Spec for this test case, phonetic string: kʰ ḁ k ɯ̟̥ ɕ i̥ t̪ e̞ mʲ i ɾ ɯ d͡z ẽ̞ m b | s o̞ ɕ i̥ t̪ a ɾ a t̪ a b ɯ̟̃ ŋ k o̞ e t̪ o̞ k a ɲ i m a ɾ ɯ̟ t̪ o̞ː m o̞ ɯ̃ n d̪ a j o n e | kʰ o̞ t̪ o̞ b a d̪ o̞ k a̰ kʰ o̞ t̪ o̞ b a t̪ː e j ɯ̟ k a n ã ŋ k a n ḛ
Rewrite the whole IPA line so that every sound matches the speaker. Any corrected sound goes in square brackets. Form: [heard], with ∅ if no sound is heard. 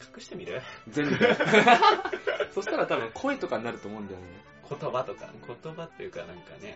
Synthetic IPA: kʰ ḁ k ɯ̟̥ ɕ i̥ t̪ e̞ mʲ i ɾ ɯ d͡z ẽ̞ m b | s o̞ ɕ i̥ t̪ a ɾ a t̪ a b ɯ̟̃ ŋ [kʰ] o̞ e t̪ o̞ k a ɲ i [n] a ɾ ɯ̟ t̪ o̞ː m o̞ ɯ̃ n d̪ a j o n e | kʰ o̞ t̪ o̞ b a [t̪] o̞ k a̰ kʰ o̞ t̪ o̞ b a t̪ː e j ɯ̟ k a n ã ŋ k a n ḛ